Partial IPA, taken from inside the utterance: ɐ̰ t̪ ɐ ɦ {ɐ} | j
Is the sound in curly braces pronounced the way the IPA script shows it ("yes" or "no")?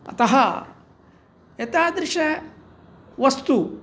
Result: yes